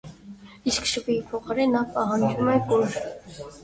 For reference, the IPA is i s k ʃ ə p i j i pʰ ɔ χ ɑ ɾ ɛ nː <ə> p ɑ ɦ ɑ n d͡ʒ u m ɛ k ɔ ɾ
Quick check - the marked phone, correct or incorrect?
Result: incorrect